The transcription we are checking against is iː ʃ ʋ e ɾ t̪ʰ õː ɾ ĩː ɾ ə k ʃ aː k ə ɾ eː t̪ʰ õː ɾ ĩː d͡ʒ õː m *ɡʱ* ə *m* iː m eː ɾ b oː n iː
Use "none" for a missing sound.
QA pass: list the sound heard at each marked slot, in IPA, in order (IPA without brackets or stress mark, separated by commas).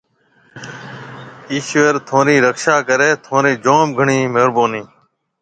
ɡʱ, ɳ